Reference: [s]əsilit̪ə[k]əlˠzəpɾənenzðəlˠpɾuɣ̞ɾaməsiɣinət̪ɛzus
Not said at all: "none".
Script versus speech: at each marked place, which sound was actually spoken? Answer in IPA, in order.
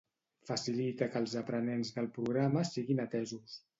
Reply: f, k

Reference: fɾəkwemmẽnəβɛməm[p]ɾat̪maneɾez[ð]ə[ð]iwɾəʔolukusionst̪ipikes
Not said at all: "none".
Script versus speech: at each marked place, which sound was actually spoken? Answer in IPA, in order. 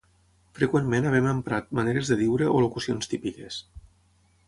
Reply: p, ð, ð

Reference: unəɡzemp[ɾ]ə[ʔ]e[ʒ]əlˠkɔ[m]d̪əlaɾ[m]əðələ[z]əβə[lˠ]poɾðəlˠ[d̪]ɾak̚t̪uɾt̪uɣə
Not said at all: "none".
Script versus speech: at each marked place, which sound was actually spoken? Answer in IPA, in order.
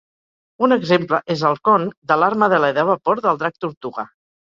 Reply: l, ʔ, z, n, m, ð, none, d̪

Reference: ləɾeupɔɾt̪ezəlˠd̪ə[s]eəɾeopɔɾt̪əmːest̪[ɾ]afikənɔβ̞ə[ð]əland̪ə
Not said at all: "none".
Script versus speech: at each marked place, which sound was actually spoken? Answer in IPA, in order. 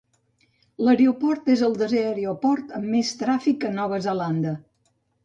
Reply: z, ɾ, z

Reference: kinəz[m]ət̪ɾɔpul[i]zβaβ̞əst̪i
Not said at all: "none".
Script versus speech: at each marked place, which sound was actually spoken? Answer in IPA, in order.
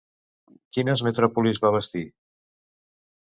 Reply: m, i

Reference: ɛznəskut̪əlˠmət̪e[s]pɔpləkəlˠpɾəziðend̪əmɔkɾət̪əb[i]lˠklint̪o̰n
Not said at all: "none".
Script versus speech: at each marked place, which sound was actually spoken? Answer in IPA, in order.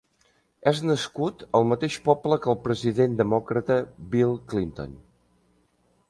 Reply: ʃ, i

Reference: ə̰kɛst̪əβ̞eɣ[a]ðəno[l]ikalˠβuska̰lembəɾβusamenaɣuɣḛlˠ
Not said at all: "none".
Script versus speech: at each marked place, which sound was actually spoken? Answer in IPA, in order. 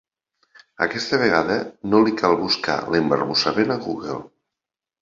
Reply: a, l

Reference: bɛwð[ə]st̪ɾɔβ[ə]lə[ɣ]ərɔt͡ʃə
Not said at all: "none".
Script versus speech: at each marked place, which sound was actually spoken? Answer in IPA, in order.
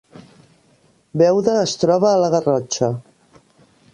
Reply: əː, əː, ɣ

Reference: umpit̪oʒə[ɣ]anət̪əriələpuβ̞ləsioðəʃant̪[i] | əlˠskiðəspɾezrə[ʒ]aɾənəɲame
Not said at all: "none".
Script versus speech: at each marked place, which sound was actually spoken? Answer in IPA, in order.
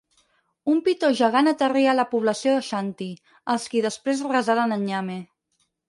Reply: ɣ, i, z

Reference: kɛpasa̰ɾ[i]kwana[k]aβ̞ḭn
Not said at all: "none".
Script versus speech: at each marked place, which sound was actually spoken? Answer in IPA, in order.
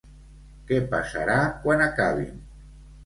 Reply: a, k

